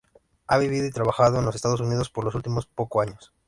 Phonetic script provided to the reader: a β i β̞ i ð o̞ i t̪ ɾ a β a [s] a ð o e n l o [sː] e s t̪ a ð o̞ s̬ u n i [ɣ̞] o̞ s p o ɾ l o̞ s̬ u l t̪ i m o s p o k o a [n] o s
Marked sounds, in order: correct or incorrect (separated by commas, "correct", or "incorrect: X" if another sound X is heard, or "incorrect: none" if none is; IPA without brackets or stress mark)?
incorrect: x, incorrect: s, incorrect: ð̞, incorrect: ɲ